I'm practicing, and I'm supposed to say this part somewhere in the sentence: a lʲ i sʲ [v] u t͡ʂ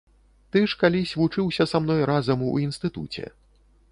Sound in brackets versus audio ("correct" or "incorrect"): correct